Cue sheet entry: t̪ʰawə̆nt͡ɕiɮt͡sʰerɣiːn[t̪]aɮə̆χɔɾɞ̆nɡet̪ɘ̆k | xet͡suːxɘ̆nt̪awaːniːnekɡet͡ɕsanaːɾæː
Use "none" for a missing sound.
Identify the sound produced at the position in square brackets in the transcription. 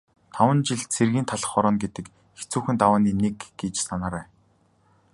t̪ʰ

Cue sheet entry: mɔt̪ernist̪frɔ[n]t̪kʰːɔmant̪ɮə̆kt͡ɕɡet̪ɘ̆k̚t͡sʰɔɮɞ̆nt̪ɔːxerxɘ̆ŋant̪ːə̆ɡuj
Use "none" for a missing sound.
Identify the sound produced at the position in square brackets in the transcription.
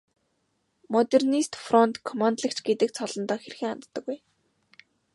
n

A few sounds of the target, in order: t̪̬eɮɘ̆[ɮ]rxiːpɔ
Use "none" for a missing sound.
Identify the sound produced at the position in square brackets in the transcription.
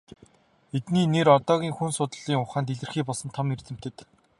none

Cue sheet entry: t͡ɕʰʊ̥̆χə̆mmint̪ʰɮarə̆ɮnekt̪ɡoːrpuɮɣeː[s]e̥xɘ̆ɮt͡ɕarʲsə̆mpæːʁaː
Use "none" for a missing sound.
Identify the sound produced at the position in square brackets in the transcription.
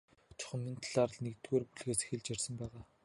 s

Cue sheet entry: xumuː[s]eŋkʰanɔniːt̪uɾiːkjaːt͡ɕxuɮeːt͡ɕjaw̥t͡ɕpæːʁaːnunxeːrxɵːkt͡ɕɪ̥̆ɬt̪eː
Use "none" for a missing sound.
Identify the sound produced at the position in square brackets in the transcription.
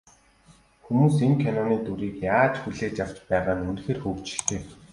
s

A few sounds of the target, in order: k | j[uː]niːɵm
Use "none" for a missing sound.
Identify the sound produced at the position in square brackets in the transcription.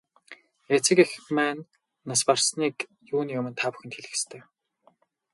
uː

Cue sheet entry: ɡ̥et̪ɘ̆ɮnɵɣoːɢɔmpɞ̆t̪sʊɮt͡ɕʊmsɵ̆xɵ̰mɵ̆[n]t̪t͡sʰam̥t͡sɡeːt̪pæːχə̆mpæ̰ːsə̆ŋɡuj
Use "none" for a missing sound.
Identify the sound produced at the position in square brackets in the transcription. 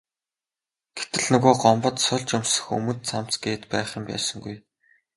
n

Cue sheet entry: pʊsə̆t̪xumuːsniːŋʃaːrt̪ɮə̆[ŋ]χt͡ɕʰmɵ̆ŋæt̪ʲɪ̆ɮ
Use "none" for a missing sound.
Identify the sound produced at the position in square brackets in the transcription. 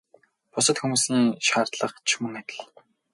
none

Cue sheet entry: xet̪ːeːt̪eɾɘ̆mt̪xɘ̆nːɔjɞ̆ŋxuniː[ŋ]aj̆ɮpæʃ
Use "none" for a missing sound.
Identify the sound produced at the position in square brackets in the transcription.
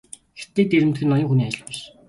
none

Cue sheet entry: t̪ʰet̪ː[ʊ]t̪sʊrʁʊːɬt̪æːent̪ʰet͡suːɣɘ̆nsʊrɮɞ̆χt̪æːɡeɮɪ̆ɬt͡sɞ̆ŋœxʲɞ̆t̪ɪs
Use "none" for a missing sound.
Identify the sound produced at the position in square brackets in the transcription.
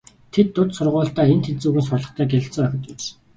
ʊ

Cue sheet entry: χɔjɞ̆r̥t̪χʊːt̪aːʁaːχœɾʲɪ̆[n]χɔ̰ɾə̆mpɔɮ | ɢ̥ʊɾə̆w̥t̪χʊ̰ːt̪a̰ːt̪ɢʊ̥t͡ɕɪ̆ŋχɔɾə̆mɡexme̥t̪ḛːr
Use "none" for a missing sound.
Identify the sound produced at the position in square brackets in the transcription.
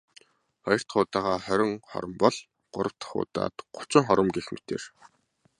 ŋ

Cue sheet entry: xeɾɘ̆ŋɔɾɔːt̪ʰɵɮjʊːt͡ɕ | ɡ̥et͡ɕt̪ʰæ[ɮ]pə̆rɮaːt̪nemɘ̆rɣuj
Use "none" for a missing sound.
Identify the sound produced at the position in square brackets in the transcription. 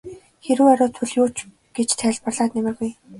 ɮ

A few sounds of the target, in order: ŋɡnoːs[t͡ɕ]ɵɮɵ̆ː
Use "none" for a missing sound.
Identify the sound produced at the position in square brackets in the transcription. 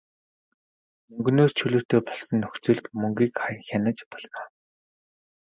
t͡ɕʰ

